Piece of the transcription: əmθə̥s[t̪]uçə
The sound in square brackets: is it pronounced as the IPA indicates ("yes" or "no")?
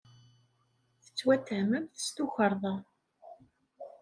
yes